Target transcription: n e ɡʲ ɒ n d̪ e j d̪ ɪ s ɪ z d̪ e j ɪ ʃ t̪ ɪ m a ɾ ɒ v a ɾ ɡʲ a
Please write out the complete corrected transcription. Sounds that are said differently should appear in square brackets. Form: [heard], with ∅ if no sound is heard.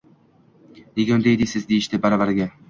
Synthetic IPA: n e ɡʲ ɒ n d̪ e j d̪ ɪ s ɪ z d̪ e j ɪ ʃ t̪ ɪ [b] a ɾ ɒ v a ɾ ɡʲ a